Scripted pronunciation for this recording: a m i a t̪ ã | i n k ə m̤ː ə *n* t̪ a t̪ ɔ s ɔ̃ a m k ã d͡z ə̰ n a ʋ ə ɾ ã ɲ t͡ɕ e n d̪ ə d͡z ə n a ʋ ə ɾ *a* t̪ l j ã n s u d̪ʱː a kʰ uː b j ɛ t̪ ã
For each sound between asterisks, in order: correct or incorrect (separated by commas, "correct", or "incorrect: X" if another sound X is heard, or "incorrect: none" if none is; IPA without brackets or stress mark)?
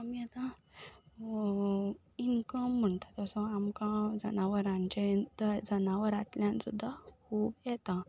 incorrect: ɳ, correct